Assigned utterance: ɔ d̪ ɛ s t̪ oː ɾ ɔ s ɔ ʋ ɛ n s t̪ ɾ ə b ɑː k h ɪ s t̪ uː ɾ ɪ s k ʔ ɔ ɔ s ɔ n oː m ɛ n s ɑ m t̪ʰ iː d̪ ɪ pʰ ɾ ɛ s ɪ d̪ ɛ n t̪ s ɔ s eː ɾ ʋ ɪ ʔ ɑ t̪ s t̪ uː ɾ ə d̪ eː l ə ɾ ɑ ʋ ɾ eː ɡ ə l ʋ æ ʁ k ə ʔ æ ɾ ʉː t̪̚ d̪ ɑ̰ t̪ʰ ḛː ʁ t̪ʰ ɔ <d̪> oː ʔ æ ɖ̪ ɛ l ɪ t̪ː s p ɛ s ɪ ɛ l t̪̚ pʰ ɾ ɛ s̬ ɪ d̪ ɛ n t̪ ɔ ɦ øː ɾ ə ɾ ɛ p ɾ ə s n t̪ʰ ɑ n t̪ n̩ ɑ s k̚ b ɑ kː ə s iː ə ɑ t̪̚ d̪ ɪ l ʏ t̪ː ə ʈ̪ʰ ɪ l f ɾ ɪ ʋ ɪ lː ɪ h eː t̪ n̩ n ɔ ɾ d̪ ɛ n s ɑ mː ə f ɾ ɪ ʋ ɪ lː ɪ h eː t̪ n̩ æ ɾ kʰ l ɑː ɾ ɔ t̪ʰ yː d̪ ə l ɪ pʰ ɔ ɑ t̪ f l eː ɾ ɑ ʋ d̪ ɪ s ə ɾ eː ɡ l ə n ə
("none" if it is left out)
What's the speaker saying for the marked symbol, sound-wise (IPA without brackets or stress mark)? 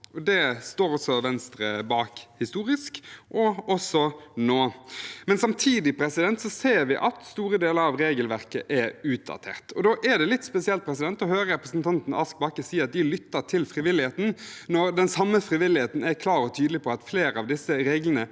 d̪